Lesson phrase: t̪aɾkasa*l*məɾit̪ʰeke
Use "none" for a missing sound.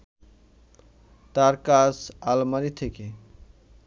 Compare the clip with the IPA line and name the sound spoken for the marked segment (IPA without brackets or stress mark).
l